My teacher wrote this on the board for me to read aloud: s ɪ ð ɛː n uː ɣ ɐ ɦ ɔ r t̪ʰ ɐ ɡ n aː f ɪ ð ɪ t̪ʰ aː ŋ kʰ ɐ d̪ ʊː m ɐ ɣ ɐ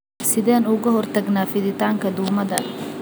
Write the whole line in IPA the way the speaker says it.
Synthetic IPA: s ɪ ð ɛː n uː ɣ ɐ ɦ ɔ r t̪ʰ ɐ ɡ n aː f ɪ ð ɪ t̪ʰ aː ŋ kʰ ɐ d̪ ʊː m ɐ ð ɐ